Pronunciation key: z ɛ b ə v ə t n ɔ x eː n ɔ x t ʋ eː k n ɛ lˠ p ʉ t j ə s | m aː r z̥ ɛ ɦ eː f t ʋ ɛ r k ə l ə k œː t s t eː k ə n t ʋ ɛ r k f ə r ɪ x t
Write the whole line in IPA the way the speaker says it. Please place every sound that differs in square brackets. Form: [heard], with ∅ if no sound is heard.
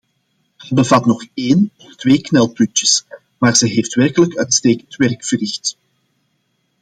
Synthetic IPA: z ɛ b ə v [ɑ] t n ɔ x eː n ɔ [f] t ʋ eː k n ɛ lˠ p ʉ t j ə s | m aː r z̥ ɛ ɦ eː f t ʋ ɛ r k ə l ə k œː t s t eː k ə n t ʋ ɛ r k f ə r ɪ x t